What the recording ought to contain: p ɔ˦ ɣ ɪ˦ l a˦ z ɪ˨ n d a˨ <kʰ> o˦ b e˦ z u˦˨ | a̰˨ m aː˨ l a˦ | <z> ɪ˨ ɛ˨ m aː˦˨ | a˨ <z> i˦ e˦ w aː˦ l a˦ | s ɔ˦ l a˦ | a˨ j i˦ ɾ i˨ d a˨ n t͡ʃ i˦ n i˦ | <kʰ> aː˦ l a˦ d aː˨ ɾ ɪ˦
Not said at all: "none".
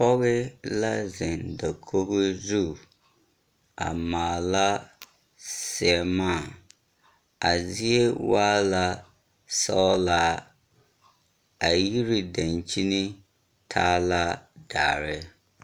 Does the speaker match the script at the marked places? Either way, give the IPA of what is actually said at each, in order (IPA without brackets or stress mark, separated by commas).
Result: kʰ, s, z, tʰ